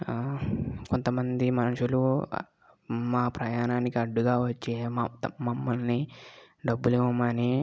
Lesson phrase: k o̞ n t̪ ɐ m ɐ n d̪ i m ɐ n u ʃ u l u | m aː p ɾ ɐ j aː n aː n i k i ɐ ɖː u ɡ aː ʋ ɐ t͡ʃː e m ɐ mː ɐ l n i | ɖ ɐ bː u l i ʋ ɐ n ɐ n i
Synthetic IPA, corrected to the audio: k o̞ n t̪ ɐ m ɐ n d̪ i m ɐ n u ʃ u l u | m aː p ɾ ɐ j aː n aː n i k i ɐ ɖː u ɡ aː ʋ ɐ t͡ʃː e m ɐ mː ɐ l n i | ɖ ɐ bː u l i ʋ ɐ m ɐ n i